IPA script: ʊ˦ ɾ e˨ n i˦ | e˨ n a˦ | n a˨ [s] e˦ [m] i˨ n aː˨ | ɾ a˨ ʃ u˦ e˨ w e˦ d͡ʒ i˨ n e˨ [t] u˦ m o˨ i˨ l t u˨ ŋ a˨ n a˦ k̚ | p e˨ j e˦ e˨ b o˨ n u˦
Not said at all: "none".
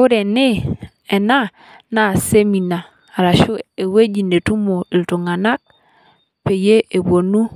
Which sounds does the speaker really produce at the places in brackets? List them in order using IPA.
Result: s, m, t

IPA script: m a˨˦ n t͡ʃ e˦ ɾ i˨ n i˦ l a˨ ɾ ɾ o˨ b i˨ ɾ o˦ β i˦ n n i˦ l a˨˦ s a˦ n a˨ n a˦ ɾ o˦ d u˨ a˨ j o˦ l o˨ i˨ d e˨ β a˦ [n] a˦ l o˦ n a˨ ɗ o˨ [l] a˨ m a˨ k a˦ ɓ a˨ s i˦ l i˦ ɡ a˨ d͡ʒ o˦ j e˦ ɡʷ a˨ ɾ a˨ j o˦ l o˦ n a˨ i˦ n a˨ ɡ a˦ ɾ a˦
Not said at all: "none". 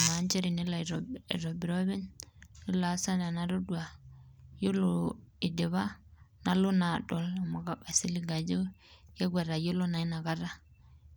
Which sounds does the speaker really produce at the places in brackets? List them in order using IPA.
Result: n, l

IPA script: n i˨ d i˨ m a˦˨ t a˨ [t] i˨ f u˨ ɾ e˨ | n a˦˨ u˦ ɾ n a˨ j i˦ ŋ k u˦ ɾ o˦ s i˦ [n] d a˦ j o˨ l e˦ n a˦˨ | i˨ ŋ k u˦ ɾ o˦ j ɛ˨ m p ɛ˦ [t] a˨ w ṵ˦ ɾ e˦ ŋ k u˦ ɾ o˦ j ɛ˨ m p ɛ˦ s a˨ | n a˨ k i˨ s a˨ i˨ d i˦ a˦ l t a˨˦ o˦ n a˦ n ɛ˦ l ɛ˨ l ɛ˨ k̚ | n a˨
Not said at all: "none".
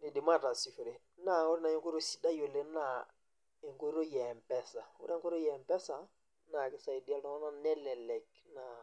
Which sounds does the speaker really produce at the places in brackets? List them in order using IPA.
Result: s, none, s

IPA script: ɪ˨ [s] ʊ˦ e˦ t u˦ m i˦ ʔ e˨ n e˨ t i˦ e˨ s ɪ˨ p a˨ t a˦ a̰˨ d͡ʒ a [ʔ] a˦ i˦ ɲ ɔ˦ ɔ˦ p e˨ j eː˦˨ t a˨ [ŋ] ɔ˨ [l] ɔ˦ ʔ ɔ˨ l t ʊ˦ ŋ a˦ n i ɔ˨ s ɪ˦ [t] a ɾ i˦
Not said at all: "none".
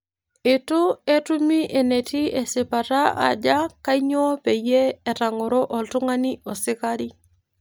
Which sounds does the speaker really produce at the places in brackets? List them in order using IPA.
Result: t, k, ŋ, ɾ, k

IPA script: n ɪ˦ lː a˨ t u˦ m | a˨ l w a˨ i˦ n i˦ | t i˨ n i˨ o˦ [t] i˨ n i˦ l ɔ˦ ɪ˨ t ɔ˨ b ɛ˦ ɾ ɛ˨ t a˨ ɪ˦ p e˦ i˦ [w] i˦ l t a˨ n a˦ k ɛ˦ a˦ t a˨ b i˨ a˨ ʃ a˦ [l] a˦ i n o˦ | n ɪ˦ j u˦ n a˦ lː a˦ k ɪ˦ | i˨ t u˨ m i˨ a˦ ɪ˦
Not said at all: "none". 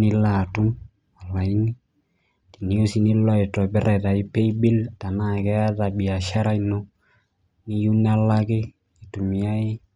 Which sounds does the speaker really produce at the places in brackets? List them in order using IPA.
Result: s, b, ɾ

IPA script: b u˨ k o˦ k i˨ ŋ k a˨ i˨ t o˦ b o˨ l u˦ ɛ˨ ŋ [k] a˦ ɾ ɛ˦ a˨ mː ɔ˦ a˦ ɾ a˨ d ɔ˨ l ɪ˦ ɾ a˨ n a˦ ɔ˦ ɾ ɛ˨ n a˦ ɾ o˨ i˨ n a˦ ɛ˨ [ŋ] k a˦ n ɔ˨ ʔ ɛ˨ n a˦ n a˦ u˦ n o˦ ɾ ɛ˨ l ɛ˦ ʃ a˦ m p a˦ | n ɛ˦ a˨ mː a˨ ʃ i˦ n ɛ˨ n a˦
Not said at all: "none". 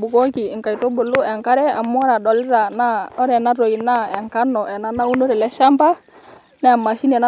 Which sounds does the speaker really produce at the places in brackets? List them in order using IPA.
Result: k, ŋ

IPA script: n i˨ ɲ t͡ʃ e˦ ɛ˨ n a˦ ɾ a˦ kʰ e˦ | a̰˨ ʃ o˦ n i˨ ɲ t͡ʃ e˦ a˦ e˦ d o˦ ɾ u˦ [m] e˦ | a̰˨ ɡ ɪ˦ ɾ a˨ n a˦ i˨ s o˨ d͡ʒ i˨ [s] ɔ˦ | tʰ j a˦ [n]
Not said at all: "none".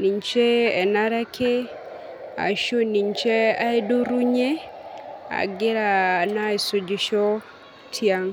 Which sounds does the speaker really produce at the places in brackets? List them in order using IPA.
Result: ɲ, ʃ, ŋ

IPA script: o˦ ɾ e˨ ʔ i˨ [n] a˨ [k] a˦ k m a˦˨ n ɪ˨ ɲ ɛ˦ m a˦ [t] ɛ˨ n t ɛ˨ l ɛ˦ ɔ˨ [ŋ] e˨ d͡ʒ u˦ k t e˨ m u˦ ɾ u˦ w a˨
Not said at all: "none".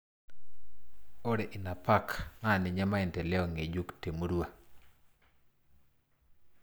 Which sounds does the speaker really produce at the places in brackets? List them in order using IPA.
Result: n, p, none, ŋ

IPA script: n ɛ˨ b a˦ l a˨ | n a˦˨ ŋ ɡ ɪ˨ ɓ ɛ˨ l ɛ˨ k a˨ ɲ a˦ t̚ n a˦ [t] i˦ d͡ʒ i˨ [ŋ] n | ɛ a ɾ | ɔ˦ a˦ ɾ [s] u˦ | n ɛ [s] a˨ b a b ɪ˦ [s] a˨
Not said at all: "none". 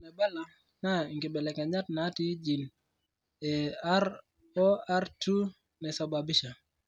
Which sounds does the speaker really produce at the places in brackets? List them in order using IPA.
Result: t, none, t, s, ʃ

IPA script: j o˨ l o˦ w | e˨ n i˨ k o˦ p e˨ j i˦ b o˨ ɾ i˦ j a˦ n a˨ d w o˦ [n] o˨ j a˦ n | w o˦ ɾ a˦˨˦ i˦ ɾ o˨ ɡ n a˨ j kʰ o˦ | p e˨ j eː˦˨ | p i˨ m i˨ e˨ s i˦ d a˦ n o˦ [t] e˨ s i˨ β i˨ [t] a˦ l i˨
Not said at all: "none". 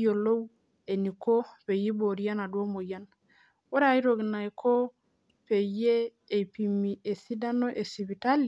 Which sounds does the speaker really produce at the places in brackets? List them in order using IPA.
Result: m, ʔ, t

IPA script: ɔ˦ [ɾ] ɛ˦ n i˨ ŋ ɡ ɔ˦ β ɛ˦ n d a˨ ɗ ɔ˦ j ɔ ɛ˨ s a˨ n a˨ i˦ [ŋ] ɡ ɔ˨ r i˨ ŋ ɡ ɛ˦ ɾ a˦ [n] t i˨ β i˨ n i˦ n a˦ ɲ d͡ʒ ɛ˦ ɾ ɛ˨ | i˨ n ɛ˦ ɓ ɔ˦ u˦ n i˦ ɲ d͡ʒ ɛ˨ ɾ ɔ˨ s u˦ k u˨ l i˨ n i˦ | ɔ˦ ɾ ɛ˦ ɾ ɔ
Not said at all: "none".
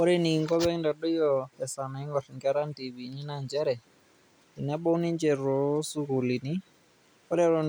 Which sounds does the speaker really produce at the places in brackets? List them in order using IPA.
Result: ɾ, ŋ, n

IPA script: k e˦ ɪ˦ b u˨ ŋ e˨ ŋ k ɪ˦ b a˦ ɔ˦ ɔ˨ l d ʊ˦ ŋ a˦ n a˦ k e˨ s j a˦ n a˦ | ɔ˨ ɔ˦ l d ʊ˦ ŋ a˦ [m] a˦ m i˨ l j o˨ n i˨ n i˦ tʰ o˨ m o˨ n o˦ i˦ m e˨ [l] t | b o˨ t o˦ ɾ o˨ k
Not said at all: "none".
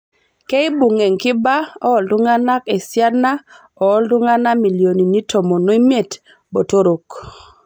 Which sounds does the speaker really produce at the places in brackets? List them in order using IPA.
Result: n, none

